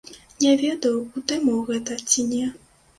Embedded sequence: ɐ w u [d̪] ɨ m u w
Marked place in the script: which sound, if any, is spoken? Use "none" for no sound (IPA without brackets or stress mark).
t̪